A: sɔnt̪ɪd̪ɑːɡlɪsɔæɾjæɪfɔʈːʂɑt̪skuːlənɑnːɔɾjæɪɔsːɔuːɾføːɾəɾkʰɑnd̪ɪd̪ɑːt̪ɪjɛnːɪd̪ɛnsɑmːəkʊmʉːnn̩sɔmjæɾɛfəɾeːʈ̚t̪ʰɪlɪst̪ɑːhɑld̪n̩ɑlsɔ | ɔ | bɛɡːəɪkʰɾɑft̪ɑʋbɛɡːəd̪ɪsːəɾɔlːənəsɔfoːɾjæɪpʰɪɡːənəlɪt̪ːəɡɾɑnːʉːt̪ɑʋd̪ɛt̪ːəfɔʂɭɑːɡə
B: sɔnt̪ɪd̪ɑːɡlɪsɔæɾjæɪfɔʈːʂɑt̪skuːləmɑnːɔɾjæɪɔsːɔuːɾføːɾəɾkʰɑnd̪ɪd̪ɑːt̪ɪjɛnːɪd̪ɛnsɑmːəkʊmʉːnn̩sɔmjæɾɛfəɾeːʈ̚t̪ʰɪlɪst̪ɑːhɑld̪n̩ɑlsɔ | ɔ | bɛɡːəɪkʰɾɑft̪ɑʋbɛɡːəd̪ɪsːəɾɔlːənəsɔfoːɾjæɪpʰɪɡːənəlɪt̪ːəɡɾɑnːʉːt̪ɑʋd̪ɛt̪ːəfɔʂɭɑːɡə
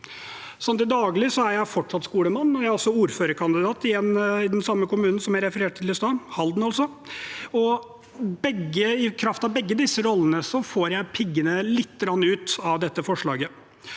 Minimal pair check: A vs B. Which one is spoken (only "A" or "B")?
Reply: B